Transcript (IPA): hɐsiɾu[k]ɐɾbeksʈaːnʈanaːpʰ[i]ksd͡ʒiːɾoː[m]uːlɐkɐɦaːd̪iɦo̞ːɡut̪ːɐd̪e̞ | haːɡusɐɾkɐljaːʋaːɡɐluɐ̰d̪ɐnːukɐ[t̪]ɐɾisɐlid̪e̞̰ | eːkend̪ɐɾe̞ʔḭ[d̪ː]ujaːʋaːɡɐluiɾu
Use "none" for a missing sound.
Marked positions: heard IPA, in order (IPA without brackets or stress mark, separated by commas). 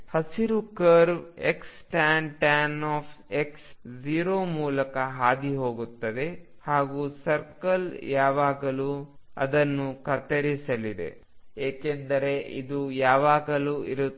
k, e, m, t̪, d̪